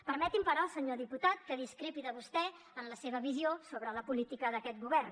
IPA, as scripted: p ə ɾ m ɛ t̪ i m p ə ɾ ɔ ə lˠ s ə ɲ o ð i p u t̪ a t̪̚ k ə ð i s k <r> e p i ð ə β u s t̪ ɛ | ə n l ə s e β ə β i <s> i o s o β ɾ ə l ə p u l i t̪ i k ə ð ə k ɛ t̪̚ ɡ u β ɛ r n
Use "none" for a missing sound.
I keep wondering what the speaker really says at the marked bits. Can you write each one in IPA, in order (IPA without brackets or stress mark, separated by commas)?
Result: ɾ, z